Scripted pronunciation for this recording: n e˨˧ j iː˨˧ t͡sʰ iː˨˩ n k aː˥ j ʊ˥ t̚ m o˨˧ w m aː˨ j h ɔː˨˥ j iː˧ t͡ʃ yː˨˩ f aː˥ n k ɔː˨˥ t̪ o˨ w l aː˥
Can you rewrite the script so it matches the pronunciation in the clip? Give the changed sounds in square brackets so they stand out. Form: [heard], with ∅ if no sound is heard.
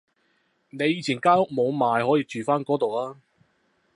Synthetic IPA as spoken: n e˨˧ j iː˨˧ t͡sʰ iː˨˩ n k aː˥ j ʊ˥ [k̚] m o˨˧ w m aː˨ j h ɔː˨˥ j iː˧ t͡ʃ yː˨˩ f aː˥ n k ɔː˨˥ t̪ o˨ w l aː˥